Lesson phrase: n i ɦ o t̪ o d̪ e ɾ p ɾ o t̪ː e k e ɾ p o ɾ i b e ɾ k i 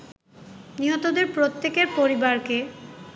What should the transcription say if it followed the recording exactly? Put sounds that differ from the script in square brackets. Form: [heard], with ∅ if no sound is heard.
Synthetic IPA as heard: n i ɦ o t̪ o d̪ e ɾ p ɾ o t̪ː e k e ɾ p o ɾ i b [a] ɾ k [e]